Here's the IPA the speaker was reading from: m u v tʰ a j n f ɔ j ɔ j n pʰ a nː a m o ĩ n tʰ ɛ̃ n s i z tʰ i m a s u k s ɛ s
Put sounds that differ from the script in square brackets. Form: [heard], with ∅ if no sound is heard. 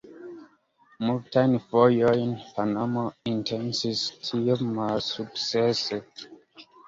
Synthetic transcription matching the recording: m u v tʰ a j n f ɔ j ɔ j n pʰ a [n] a m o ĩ n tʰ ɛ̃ n s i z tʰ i m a s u k s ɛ s